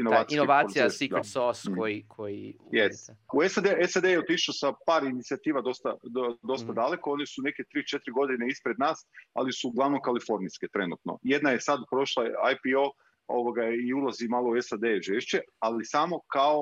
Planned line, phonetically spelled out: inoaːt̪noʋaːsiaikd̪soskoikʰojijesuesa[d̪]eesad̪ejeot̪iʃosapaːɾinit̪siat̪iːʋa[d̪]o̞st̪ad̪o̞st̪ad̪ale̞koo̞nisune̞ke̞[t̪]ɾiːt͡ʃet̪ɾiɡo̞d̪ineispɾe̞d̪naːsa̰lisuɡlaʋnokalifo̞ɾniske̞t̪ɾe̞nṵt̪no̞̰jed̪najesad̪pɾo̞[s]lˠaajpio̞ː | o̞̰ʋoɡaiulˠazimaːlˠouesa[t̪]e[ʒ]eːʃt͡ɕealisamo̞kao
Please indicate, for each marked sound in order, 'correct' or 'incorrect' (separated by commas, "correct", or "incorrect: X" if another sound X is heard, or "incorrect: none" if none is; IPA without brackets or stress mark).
correct, correct, correct, incorrect: ʃ, incorrect: d̪, correct